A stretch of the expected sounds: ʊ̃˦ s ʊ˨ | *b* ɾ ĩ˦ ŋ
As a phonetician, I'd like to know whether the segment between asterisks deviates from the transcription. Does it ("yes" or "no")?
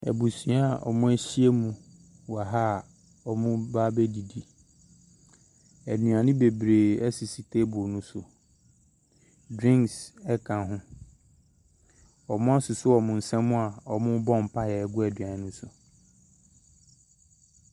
yes